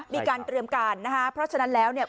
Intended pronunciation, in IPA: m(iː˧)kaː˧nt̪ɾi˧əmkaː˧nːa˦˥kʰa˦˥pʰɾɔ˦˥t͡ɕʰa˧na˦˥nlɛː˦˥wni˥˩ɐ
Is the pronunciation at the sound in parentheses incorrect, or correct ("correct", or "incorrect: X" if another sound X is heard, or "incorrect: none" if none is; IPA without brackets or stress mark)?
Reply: correct